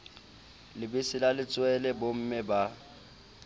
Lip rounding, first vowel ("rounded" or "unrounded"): unrounded